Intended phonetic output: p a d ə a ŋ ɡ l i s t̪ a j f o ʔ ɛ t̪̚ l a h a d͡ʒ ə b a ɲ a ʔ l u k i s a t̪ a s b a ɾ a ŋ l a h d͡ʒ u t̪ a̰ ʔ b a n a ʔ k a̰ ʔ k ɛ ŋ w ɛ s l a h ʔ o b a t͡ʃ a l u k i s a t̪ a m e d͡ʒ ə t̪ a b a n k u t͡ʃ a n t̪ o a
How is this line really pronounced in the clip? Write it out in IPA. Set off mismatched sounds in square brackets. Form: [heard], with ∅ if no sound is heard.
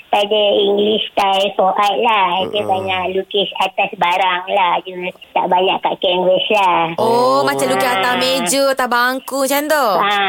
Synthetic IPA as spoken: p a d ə [i] ŋ ɡ l i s t̪ a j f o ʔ [a] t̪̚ l a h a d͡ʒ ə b a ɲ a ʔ l u k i s a t̪ a s b a ɾ a ŋ l a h d͡ʒ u t̪ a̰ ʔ b a [ɲ] a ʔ k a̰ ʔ k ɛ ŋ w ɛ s l a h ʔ o [m] a t͡ʃ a l u k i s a t̪ a m e d͡ʒ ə t̪ a b a [ŋ] k u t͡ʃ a n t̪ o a